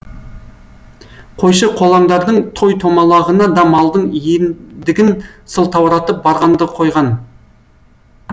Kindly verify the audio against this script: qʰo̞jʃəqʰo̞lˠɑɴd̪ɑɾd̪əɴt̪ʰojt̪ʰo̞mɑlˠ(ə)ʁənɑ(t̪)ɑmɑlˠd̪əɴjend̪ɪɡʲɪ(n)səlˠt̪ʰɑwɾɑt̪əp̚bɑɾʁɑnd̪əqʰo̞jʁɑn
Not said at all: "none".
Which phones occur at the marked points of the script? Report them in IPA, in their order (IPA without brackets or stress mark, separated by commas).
ɑ, d̪, n